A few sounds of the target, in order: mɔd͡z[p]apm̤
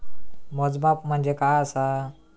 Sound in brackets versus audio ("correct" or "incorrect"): incorrect